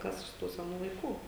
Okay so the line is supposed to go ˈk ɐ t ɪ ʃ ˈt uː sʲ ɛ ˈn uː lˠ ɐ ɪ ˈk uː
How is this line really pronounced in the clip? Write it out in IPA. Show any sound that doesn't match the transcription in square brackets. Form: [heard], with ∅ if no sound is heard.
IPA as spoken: ˈk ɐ [s] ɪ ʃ ˈt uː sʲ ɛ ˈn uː lˠ ɐ ɪ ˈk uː